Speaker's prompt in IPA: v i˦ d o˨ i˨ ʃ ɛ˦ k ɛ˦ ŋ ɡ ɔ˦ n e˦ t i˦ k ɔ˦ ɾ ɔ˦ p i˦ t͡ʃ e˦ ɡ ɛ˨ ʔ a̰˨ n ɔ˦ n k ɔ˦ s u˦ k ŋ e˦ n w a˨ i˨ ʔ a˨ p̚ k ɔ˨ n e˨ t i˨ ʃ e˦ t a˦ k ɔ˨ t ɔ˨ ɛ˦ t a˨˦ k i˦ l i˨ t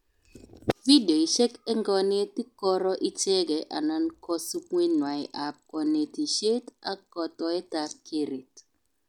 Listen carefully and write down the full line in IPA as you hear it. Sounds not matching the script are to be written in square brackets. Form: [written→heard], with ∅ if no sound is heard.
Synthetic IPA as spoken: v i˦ d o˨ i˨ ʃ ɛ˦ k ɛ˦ ŋ ɡ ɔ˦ n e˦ t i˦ k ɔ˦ ɾ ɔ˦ [p→ʔ] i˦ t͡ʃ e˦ ɡ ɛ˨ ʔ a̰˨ n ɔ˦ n k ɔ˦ s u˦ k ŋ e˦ n w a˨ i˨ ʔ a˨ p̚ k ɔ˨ n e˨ t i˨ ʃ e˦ t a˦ k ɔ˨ t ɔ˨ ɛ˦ t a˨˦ k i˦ [l→ɾ] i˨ t